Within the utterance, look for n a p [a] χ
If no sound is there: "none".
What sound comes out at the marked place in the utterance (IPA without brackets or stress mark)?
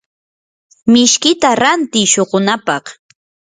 ɑ